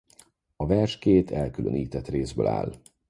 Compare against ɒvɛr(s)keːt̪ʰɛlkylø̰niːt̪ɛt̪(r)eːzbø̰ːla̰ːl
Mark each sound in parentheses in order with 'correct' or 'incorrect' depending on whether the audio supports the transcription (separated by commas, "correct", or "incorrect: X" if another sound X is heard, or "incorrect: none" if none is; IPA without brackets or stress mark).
incorrect: ʃ, correct